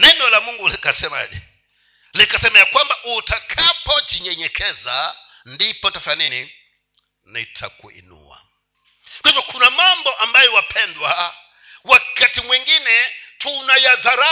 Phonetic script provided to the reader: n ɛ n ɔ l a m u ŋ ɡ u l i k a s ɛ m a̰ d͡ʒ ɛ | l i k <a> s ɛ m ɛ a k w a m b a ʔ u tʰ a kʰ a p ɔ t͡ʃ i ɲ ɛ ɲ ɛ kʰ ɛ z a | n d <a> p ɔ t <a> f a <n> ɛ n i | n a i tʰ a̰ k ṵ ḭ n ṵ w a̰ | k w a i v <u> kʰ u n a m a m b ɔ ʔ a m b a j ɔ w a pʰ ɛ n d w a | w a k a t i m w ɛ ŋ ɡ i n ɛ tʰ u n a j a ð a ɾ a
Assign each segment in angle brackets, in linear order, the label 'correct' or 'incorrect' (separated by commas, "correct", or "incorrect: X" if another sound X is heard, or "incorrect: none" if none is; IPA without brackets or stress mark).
correct, incorrect: i, correct, correct, incorrect: ɔ